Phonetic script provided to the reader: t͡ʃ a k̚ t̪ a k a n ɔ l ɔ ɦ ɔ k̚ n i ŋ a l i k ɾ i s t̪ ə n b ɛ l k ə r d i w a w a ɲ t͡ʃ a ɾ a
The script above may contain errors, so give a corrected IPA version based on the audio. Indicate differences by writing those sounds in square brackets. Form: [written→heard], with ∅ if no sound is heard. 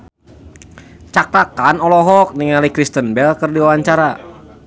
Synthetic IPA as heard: t͡ʃ a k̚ t̪ a k a n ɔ l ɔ ɦ ɔ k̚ n i ŋ a l i k ɾ i s t̪ ə n b ɛ l k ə r d i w a w a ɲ t͡ʃ a ɾ a